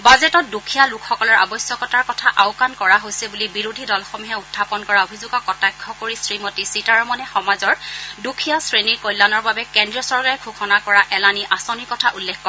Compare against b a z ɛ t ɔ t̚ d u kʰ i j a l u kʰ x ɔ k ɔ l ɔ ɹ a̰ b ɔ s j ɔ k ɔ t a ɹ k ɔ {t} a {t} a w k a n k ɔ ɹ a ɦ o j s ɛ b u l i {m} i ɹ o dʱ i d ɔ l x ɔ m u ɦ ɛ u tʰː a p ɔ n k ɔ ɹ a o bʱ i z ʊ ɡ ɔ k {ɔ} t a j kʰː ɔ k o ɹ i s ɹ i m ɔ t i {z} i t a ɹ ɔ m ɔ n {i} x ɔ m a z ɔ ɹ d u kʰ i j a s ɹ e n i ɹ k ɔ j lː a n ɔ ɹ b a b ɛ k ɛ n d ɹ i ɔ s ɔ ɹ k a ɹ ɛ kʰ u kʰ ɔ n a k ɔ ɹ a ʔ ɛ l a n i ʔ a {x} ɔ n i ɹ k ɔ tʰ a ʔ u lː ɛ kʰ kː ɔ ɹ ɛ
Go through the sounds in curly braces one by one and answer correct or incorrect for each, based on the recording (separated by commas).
incorrect, incorrect, incorrect, correct, incorrect, incorrect, incorrect